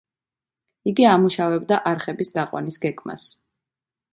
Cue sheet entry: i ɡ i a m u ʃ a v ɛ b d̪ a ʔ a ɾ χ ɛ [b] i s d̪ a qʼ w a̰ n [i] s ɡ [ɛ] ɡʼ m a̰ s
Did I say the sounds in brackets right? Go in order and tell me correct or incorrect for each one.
correct, correct, correct

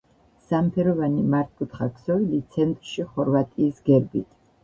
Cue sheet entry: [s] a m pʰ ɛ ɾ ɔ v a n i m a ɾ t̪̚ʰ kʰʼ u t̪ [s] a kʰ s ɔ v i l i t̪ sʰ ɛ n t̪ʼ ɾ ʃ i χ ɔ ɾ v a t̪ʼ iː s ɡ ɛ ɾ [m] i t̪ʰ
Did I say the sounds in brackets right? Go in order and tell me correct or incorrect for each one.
correct, incorrect, incorrect

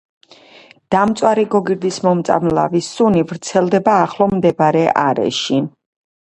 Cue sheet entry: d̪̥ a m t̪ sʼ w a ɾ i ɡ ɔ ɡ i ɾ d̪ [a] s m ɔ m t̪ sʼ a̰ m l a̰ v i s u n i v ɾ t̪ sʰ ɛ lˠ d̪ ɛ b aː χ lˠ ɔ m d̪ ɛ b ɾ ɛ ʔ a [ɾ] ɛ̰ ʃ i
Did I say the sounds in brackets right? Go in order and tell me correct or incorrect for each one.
incorrect, correct

